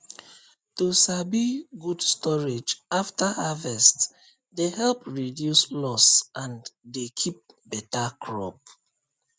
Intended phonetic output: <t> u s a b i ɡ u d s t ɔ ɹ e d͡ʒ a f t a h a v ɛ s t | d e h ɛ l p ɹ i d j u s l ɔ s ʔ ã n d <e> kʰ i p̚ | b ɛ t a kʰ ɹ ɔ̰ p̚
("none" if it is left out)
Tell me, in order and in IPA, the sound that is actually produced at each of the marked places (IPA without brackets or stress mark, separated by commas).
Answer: t, e